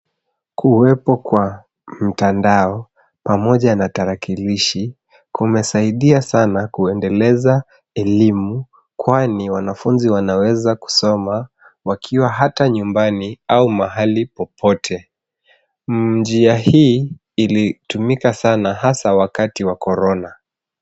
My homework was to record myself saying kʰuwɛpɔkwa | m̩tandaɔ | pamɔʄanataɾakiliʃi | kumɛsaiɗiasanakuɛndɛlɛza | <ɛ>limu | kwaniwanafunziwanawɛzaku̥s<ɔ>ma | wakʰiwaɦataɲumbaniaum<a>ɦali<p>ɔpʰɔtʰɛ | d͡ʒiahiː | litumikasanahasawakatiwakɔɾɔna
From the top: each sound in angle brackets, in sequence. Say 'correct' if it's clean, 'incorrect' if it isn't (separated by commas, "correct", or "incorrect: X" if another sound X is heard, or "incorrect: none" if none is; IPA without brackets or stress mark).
correct, correct, correct, correct